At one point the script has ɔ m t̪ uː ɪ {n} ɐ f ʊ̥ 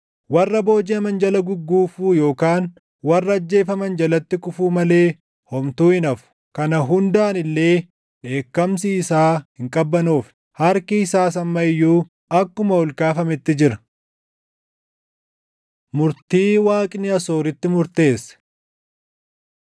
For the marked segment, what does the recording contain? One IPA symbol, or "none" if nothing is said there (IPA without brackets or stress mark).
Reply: n